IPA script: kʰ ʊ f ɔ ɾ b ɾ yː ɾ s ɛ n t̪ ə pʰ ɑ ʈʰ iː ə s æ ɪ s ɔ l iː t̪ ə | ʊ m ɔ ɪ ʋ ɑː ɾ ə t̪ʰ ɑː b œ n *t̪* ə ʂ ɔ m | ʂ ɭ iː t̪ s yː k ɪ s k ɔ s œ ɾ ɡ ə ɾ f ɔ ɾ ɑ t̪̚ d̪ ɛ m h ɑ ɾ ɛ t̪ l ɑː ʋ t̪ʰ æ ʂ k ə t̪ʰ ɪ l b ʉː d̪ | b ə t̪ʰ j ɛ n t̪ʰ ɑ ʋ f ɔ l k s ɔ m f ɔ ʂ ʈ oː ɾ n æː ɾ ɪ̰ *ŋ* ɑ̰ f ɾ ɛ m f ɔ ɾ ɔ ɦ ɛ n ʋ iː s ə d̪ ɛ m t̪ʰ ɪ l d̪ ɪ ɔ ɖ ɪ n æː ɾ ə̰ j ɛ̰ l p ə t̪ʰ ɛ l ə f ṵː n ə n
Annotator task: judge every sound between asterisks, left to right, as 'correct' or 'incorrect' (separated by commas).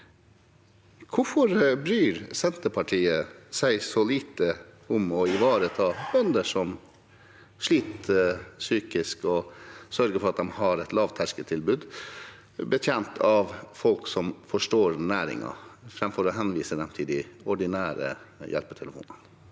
incorrect, correct